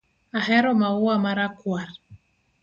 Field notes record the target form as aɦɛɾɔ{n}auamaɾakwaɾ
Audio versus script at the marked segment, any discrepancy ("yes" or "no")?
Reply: yes